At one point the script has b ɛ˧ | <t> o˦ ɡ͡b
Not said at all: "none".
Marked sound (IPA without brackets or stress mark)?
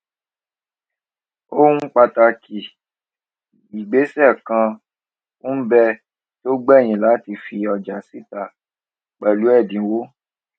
t